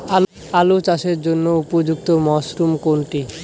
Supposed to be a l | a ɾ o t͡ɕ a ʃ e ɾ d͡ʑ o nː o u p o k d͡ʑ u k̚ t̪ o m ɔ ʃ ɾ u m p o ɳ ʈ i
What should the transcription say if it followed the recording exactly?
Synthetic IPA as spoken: a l | a l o t͡ɕ a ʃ e ɾ d͡ʑ o nː o u p o d͡ʑ u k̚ t̪ o m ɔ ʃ ɾ u m k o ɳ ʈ i